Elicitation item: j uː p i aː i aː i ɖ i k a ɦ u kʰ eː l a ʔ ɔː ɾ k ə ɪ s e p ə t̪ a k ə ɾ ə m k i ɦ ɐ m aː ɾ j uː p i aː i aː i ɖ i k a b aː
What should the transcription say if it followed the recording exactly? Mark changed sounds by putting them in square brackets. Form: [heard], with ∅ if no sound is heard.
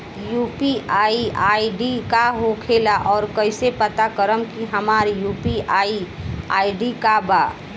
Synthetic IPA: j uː p i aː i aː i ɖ i k a ɦ [o] kʰ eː l a ʔ ɔː ɾ k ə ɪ s e p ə t̪ a k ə ɾ ə m k i ɦ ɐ m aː ɾ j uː p i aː i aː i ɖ i k a b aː

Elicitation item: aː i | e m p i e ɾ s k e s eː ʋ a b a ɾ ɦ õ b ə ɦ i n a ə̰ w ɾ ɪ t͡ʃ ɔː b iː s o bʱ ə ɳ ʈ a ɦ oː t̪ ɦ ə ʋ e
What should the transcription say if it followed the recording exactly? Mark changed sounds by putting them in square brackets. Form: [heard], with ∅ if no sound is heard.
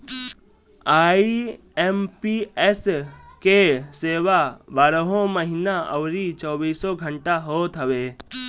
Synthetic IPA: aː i | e m p i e [∅] s k e s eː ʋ a b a ɾ ɦ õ [m] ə ɦ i n a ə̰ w ɾ [i] t͡ʃ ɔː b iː s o [ɡʱ] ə ɳ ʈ a ɦ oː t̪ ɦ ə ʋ e

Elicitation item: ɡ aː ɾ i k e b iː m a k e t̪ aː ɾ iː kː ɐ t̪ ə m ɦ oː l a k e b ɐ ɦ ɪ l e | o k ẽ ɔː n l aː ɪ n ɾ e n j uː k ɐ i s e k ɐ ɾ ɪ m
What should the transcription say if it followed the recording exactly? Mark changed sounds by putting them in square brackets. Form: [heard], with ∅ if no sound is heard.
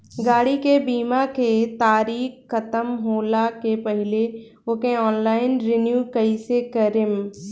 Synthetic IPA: ɡ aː [ɽ] i k e b iː m a k e t̪ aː ɾ iː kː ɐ t̪ ə m ɦ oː l a k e [p] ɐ ɦ ɪ l e | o k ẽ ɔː n l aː ɪ n ɾ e n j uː k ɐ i s e k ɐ ɾ ɪ m

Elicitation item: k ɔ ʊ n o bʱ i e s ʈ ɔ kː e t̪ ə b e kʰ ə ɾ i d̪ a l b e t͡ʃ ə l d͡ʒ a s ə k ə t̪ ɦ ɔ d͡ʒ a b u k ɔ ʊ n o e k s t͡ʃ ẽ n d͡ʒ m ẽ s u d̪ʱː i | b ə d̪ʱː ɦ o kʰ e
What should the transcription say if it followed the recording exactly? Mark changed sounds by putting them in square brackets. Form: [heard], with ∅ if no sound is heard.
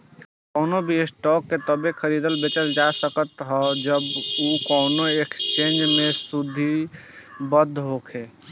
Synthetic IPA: k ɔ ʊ n o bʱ i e s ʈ ɔ kː e t̪ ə b e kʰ ə ɾ i d̪ [ə] l b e t͡ʃ ə l d͡ʒ a s ə k ə t̪ ɦ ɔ d͡ʒ [ə] b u k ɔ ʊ n o e k s t͡ʃ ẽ n d͡ʒ m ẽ s u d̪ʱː i | b ə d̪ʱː ɦ o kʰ e

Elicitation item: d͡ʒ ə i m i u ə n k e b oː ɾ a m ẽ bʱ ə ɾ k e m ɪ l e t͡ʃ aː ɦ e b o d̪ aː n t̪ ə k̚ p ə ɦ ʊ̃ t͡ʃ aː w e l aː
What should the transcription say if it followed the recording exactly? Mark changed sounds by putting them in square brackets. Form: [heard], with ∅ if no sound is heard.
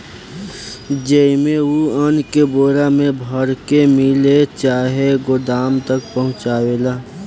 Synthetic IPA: d͡ʒ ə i m [e] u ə n k e b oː ɾ a m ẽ bʱ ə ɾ k e m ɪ l e t͡ʃ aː ɦ e [ɡ] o d̪ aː [m] t̪ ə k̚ p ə ɦ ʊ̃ t͡ʃ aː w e l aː

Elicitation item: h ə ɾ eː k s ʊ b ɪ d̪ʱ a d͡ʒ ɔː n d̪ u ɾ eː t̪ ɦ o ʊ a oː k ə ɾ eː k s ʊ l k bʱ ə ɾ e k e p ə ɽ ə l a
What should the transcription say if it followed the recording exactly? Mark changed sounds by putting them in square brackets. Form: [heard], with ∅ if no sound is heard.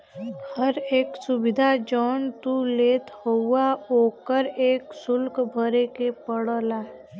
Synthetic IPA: h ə ɾ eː k s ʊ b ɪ d̪ʱ a d͡ʒ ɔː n [t̪] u [l] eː t̪ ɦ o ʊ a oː k ə ɾ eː k s ʊ l k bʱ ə ɾ e k e p ə ɽ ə l a

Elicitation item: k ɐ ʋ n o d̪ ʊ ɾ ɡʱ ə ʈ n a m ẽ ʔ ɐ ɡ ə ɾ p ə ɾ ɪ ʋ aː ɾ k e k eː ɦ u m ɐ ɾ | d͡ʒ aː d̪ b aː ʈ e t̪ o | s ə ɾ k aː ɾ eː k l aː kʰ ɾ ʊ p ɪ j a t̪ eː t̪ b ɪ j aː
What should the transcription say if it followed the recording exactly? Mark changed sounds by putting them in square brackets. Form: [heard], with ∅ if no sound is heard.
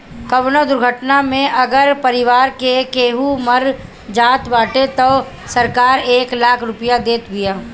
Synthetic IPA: k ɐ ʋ n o d̪ ʊ ɾ ɡʱ ə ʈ n a m ẽ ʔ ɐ ɡ ə ɾ p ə ɾ ɪ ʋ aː ɾ k e k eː ɦ u m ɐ ɾ | d͡ʒ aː [t̪] b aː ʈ e t̪ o | s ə ɾ k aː ɾ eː k l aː kʰ ɾ ʊ p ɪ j a [d̪] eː t̪ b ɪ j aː

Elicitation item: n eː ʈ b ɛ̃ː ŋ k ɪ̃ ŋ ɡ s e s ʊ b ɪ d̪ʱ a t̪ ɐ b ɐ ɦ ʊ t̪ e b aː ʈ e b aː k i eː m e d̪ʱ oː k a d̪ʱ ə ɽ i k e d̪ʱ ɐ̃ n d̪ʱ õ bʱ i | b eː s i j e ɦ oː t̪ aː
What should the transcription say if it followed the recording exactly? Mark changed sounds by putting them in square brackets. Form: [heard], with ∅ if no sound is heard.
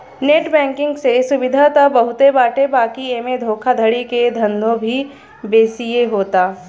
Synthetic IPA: n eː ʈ b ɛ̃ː ŋ k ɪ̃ ŋ ɡ s e s ʊ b ɪ d̪ʱ a t̪ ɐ b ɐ ɦ ʊ t̪ e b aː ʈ e b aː k i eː m e d̪ʱ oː [kʰ] a d̪ʱ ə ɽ i k e d̪ʱ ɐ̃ n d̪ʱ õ bʱ i | b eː s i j e ɦ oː t̪ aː

